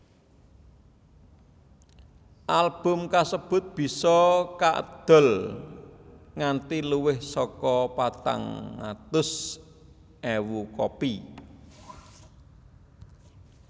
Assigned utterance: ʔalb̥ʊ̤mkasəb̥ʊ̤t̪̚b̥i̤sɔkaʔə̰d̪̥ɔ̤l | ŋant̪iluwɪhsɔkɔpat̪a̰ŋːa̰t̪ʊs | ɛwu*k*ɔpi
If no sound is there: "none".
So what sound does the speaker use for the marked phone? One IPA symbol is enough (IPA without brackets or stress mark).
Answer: k